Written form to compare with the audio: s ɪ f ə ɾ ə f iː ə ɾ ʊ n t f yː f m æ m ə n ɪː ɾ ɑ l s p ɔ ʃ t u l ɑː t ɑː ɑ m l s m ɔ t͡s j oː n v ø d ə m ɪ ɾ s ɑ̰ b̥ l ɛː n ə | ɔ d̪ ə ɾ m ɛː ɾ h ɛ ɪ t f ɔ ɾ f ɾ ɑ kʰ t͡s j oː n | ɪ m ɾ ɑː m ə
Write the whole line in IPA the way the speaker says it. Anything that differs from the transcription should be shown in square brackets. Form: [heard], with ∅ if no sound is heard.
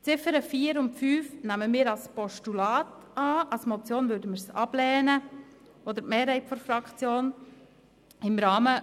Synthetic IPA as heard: [t͡s] ɪ f ə ɾ ə f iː ə ɾ ʊ n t f yː f [n] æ m ə [m] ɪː ɾ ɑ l s p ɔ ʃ t u l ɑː t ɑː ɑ [∅] l s m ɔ t͡s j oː n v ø d ə m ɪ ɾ s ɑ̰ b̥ l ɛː n ə | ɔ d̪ ə ɾ m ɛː ɾ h ɛ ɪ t f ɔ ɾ f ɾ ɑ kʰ t͡s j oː n | ɪ m ɾ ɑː m ə